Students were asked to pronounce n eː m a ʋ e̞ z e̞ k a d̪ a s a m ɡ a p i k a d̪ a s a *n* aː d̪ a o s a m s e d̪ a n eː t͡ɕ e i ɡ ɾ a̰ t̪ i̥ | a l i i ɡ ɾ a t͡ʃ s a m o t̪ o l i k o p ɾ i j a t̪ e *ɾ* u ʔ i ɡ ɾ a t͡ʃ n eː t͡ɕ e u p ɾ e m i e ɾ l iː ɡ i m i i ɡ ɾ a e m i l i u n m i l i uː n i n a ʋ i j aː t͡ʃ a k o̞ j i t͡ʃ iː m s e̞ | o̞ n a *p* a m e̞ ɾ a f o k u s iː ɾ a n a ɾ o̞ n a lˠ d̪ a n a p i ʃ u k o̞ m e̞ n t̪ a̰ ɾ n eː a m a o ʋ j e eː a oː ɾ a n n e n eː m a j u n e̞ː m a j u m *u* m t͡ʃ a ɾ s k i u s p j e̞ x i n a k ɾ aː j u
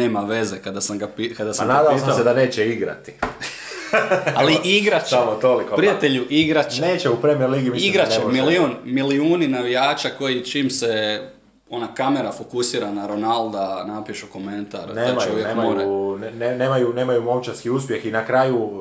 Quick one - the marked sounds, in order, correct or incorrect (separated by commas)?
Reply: correct, incorrect, incorrect, incorrect